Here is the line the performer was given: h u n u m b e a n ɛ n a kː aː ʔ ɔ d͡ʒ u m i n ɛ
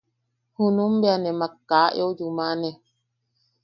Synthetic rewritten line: h u n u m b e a n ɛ m a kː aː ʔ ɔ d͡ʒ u m a n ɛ